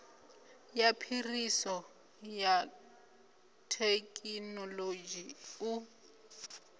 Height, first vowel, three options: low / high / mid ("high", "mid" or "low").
low